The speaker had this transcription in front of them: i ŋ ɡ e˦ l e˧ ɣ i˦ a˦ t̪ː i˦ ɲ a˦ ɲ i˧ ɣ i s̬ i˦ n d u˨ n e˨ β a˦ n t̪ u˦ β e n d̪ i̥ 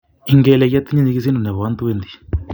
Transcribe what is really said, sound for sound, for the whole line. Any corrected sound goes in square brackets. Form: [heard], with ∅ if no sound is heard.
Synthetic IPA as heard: i ŋ ɡ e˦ l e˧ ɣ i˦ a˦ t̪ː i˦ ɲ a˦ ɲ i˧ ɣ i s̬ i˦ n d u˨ n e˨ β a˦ n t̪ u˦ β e n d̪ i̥